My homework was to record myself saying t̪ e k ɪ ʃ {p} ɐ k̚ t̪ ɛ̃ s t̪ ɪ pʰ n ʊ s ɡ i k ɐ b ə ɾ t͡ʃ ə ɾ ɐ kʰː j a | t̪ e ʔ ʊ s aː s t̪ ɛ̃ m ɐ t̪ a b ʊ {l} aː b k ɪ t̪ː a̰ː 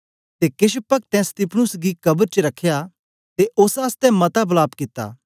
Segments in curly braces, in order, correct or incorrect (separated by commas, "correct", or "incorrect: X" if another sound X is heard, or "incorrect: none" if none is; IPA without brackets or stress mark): correct, correct